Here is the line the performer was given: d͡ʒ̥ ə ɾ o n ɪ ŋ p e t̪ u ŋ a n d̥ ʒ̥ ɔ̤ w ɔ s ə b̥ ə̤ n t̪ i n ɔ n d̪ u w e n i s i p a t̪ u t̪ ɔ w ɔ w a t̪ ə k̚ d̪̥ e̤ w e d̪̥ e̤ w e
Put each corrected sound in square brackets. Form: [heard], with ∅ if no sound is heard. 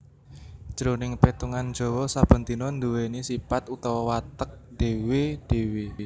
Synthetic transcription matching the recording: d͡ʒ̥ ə ɾ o n ɪ ŋ p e t̪ u ŋ a n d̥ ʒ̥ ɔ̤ w ɔ s [a] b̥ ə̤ n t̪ i n ɔ n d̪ u w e n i s i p a t̪ u t̪ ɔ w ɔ w a t̪ ə k̚ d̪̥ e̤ w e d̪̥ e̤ w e